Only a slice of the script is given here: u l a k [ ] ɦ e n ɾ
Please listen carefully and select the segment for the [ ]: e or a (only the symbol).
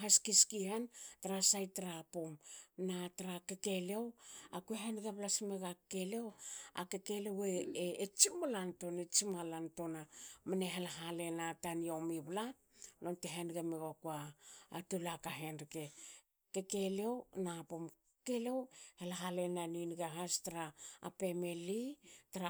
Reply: a